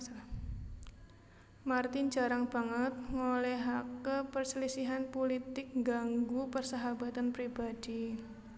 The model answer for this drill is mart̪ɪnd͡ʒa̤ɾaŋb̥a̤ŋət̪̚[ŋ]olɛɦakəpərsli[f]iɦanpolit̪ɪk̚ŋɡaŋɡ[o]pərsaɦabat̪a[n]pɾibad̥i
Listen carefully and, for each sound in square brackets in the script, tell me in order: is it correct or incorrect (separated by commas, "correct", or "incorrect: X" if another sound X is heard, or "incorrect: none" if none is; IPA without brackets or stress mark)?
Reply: correct, incorrect: s, incorrect: u, correct